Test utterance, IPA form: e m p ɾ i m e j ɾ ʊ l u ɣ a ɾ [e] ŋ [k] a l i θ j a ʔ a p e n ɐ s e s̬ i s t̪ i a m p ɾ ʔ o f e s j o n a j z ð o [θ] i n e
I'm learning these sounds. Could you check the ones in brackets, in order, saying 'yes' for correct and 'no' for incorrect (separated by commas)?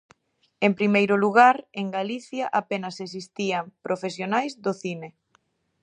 yes, no, yes